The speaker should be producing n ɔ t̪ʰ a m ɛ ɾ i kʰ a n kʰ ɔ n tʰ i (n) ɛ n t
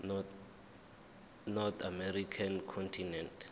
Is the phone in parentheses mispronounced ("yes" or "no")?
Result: no